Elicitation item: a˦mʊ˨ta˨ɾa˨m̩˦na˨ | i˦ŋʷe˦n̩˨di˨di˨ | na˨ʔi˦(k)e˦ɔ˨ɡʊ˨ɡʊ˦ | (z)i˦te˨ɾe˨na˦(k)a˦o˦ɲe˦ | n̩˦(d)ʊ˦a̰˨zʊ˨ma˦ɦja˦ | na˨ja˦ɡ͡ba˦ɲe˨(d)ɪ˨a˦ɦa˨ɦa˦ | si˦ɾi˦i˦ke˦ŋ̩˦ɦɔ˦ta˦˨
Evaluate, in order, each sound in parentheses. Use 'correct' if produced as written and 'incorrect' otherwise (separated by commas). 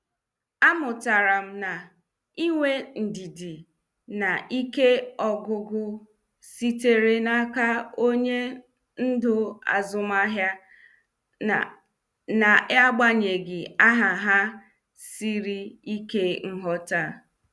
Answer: correct, incorrect, correct, correct, incorrect